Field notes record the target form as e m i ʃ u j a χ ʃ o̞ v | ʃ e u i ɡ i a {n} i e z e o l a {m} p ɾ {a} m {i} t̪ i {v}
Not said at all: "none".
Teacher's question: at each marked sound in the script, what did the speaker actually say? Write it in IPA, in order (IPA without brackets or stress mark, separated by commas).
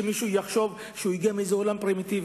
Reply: m, m, i, i, v